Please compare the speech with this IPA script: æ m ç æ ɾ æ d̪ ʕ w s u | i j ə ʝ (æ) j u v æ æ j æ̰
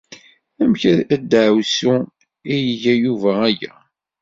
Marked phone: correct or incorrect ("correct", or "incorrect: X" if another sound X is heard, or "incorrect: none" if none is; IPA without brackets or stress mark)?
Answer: correct